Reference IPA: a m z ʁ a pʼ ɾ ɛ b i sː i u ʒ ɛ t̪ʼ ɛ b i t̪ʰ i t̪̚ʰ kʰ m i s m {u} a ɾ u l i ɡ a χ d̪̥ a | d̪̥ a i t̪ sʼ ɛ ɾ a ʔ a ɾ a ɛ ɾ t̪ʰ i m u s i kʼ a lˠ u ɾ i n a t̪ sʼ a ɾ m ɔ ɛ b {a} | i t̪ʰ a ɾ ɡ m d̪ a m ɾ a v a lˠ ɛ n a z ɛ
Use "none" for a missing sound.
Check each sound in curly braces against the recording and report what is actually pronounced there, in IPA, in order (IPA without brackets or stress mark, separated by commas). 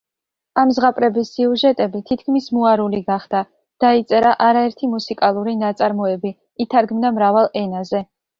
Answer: u, i